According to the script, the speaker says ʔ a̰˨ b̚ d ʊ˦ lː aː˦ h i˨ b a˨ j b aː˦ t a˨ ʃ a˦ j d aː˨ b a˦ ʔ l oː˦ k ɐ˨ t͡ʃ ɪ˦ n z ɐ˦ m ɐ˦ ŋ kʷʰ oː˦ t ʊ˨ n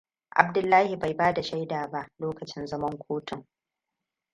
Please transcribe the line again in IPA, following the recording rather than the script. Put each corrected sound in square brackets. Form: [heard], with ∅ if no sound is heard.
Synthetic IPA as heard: ʔ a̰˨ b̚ d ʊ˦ lː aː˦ h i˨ b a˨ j b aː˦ [d] a˨ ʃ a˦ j d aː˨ b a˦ ʔ l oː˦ k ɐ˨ t͡ʃ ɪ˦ n z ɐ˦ m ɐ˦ ŋ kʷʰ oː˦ t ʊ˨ [ŋ]